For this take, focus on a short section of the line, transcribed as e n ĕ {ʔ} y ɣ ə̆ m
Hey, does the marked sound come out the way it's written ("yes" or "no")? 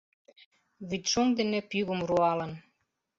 no